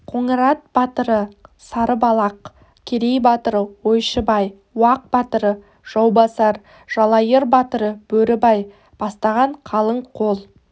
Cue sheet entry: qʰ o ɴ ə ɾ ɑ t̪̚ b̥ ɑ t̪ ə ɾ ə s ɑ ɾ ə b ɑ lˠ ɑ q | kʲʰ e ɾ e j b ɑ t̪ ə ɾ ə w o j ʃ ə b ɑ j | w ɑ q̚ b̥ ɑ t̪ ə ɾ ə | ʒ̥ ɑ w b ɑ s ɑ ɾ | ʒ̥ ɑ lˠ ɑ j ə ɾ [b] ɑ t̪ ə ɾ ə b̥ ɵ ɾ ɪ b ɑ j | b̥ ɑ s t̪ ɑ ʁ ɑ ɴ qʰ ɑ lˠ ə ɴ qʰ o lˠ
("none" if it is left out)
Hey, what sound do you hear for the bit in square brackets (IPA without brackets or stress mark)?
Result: b